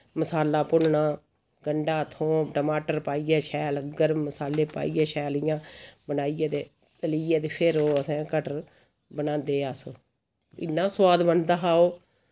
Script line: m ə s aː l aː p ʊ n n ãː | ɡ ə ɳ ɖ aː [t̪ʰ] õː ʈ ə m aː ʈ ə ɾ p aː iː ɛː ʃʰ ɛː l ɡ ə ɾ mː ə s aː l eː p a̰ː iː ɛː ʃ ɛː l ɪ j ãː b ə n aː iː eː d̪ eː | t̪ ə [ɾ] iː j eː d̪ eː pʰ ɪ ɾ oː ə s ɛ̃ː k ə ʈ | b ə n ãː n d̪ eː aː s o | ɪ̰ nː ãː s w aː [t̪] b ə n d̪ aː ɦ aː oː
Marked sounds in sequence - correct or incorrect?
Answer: correct, incorrect: l, incorrect: d̪

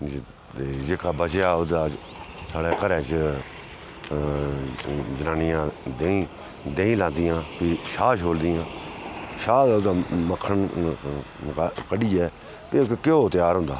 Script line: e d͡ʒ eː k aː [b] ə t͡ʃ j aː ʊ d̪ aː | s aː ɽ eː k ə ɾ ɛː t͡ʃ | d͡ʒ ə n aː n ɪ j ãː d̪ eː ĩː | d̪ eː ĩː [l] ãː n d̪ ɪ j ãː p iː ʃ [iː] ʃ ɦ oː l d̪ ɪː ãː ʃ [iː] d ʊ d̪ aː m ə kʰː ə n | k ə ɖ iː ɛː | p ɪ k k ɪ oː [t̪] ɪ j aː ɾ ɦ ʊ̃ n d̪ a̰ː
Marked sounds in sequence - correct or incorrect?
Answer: correct, correct, incorrect: aː, incorrect: aː, correct

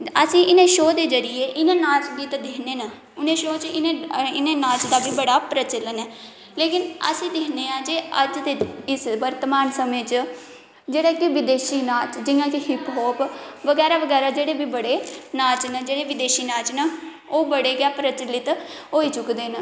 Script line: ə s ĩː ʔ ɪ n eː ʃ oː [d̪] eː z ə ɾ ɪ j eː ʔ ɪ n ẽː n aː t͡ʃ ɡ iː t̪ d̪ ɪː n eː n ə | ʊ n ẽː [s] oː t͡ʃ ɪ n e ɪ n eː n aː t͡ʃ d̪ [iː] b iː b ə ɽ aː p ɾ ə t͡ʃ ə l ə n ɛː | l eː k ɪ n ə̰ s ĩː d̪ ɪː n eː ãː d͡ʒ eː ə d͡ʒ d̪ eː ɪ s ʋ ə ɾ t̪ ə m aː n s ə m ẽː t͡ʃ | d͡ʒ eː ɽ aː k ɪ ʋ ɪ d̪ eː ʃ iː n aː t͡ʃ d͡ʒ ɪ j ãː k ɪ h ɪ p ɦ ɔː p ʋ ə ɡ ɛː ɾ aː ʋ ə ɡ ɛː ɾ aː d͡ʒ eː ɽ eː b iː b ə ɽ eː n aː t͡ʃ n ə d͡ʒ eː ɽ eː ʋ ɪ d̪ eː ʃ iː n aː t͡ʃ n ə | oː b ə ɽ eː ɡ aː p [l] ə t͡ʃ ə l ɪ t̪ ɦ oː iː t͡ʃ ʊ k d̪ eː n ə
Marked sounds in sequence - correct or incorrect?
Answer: correct, incorrect: ʃ, incorrect: aː, incorrect: ɾ

